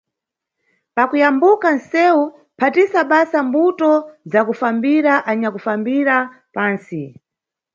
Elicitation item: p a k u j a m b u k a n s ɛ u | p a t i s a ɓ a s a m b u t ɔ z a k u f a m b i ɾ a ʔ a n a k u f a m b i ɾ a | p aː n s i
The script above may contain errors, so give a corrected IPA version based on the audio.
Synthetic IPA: p a k u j a m b u k a n s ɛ u | pʰ a t i s a ɓ a s a m b u t ɔ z a k u f a m b i ɾ a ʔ a ɲ a k u f a m b i ɾ a | p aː n s i